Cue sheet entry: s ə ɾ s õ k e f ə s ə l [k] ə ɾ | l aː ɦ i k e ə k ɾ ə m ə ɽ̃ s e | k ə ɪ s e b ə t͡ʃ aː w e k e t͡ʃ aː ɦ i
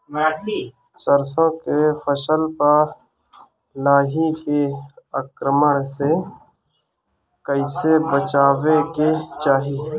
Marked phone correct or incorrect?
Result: incorrect